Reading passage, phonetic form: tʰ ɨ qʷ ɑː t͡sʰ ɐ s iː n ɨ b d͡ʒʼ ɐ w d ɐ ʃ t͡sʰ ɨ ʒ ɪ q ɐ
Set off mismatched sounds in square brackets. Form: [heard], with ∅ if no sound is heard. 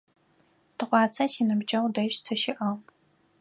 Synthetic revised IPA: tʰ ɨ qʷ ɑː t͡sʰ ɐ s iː n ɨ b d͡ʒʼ ɐ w d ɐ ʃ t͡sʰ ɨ [ʃ] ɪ [ʔ] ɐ